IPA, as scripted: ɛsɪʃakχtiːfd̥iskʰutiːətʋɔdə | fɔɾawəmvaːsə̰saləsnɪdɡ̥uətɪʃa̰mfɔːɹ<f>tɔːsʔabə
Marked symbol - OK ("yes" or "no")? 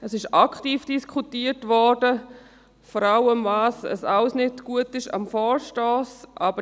no